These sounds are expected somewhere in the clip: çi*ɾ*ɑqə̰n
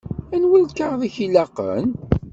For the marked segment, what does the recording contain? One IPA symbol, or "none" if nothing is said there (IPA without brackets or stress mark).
l